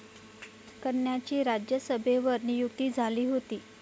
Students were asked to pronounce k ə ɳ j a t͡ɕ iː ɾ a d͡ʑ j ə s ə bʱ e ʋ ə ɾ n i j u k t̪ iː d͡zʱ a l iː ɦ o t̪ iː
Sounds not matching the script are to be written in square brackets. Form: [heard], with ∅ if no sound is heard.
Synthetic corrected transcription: k ə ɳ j a t͡ɕ iː ɾ a d͡ʑ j ə s ə bʱ e ʋ ə ɾ n i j u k t̪ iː d͡zʱ a l iː ɦ o t̪ iː